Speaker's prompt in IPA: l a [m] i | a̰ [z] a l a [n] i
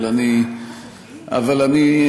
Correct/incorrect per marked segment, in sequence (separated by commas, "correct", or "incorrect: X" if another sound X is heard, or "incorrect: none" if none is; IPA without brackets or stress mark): incorrect: n, incorrect: v, correct